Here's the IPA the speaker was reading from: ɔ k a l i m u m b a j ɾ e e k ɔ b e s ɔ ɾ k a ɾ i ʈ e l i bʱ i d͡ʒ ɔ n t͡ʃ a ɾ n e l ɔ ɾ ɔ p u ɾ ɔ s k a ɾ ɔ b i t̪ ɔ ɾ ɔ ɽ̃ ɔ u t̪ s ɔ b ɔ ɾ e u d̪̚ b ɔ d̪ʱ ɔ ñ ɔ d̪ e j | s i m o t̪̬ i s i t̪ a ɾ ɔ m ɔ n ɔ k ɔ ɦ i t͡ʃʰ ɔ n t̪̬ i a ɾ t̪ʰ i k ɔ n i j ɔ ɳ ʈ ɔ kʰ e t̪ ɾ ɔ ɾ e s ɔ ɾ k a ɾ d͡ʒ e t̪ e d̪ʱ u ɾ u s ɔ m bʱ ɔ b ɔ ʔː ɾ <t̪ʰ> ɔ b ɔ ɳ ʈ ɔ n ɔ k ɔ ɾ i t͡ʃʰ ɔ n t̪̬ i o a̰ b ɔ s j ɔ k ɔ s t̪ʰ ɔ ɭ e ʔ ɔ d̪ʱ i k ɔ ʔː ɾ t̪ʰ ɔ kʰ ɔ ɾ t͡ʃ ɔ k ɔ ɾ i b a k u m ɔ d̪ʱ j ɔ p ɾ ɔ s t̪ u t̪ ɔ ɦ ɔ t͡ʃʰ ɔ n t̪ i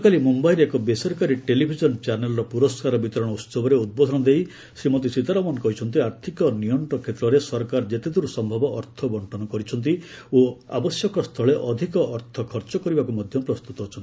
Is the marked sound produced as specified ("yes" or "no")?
yes